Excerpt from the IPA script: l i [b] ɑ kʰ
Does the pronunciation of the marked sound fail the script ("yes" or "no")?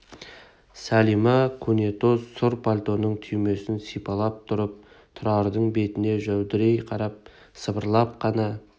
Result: yes